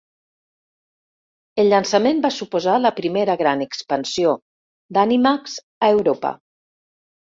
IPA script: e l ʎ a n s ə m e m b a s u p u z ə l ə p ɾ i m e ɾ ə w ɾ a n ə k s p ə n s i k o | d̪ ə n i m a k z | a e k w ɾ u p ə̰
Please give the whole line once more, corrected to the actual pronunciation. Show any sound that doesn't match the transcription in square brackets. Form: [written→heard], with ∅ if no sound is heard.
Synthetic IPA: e l ʎ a n s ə m e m b a s u p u z [ə→a] l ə p ɾ i m e ɾ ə [w→ɣ] ɾ a n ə k s p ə n s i [k→∅] o | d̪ [ə→a] n i m a k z | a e [k→∅] w ɾ [u→o] p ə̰